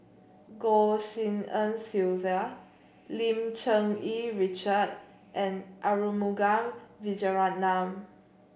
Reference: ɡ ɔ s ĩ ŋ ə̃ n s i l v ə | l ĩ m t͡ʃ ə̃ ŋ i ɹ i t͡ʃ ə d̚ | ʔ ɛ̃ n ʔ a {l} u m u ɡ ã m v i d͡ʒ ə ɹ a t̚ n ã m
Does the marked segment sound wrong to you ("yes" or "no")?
yes